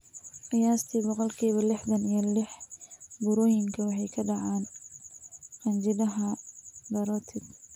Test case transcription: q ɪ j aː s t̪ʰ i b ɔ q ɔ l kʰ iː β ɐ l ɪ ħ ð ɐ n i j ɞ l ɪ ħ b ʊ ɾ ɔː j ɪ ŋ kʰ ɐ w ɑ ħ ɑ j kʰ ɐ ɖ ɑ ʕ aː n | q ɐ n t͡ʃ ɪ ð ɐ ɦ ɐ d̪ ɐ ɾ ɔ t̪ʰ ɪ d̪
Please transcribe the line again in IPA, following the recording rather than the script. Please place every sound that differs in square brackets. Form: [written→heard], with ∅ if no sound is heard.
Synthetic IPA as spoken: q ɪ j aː s t̪ʰ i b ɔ q ɔ l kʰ iː β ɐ l ɪ ħ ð ɐ n i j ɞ l ɪ ħ b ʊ ɾ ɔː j ɪ ŋ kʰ ɐ w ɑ ħ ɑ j kʰ ɐ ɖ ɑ ʕ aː n | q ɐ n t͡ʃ ɪ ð ɐ ɦ ɐ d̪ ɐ ɾ ɔ t̪ʰ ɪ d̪